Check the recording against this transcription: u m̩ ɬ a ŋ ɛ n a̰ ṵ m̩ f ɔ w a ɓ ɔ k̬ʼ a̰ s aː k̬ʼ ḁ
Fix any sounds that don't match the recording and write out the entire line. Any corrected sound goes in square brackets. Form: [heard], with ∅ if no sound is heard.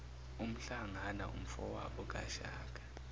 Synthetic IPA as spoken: u m̩ ɬ a ŋ [a] n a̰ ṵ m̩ f ɔ w a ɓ ɔ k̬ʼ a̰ [ʃ] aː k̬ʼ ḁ

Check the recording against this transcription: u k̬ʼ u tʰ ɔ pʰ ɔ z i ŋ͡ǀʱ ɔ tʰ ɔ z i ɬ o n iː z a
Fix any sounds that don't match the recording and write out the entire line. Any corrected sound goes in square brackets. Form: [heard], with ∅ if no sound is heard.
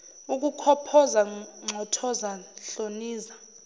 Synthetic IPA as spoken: u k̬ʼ u [kʰ] ɔ pʰ ɔ z [a] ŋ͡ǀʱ ɔ tʰ ɔ z [a] ɬ o n iː z a

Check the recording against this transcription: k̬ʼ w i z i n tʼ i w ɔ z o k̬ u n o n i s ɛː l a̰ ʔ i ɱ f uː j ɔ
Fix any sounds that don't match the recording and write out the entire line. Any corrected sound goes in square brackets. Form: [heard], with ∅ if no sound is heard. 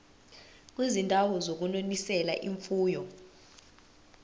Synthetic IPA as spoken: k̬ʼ w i z i n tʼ [a] w ɔ z o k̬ u n o n i s [ɛ] l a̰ ʔ i ɱ f uː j ɔ

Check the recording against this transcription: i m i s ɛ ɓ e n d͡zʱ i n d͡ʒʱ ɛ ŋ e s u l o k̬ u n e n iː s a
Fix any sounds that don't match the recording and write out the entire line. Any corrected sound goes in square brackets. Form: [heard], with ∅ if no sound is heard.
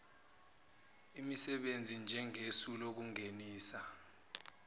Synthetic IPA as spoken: i m i s ɛ ɓ e n d͡zʱ i n d͡ʒʱ ɛ ŋ e s u l o k̬ u [ŋ] e n iː s a

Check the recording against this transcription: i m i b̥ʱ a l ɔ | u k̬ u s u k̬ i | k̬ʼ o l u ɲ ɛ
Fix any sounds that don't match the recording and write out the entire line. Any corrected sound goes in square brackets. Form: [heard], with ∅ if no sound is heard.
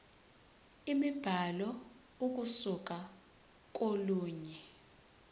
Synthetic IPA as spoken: i m i b̥ʱ a l ɔ | u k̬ u s u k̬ [a] | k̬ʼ o l [uː] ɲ ɛ

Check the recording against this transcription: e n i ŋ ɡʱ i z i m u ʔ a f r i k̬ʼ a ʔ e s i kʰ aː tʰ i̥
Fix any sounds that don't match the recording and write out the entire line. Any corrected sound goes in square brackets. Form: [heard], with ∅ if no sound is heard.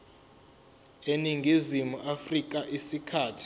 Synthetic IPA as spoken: e n i ŋ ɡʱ i z i m u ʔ a f r i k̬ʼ a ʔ [i] s i kʰ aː tʰ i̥

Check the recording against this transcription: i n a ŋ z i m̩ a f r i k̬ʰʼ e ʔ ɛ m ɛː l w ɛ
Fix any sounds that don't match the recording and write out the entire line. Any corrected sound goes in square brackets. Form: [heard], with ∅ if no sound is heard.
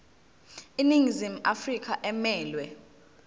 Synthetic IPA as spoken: i n [i] ŋ z i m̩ a f r i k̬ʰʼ [a] ʔ ɛ m ɛː l w ɛ

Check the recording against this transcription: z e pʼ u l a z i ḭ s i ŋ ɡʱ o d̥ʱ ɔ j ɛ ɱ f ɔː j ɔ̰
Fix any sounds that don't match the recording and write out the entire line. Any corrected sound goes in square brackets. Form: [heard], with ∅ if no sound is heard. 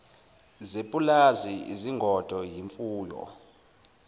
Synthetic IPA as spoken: z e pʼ u l a z i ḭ [z] i ŋ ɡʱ [ɔ] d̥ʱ ɔ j [i] ɱ f [uː] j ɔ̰

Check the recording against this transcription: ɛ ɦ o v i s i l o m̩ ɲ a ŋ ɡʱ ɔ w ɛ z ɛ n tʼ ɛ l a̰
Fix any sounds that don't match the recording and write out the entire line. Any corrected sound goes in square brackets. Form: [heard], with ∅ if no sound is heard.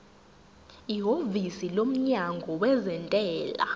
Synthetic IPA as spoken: [i] ɦ o v i s i l o m̩ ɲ a ŋ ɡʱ ɔ w ɛ z ɛ n tʼ [ɛː] l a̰

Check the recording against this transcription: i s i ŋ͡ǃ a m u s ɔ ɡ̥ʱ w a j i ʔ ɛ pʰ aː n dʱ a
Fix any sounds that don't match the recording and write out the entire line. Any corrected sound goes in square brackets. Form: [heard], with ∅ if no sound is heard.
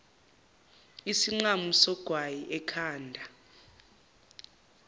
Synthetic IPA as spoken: i s i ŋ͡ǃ a m u s ɔ ɡ̥ʱ w a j i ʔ ɛ [kʰ] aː n dʱ a

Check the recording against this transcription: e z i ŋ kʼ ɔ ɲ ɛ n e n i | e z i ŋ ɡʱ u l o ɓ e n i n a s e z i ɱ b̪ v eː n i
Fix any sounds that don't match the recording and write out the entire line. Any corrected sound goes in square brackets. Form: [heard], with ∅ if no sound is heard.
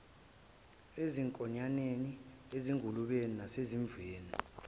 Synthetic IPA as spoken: e z i ŋ kʼ ɔ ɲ [a] n e n i | e z i ŋ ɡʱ u l [u] ɓ e n i n a s e z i ɱ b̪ v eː n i

